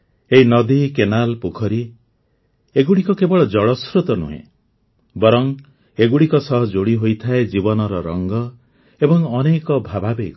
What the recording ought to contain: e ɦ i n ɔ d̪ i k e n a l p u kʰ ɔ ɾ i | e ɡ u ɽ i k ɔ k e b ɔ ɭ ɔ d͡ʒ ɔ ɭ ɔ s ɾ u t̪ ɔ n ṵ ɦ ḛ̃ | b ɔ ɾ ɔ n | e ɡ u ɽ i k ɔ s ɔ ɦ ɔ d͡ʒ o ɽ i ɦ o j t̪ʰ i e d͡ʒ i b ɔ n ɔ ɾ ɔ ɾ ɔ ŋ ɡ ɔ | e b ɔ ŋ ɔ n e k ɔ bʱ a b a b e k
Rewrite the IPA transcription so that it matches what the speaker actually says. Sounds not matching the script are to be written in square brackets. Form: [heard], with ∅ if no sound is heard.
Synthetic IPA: e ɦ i n ɔ d̪ i k e n a l p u kʰ ɔ ɾ i | e ɡ u ɽ i k ɔ k e b ɔ ɭ ɔ d͡ʒ ɔ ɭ ɔ s ɾ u t̪ ɔ n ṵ ɦ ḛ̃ | b ɔ ɾ ɔ [ŋ] | e ɡ u ɽ i k ɔ s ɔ ɦ ɔ d͡ʒ o ɽ i ɦ o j t̪ʰ [a] e d͡ʒ i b ɔ n ɔ ɾ ɔ ɾ ɔ ŋ ɡ ɔ | e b ɔ ŋ ɔ n e k ɔ bʱ a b a b e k